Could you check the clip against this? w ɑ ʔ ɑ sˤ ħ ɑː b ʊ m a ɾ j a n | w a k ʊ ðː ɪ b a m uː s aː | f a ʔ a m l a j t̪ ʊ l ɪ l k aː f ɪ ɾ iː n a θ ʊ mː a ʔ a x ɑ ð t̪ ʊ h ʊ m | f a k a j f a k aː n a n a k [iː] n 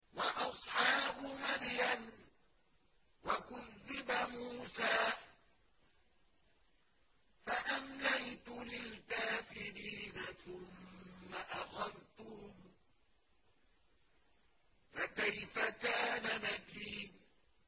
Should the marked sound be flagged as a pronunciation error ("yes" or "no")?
no